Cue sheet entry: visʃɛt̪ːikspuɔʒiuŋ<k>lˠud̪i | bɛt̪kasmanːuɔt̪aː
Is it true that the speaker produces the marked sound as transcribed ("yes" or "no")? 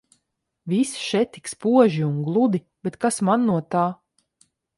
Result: no